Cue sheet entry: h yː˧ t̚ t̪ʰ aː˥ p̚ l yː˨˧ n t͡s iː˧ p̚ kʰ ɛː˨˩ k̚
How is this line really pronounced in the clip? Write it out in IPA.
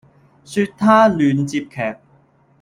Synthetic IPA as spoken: s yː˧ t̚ t̪ʰ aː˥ l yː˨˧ n t͡s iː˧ p̚ kʰ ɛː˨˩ k̚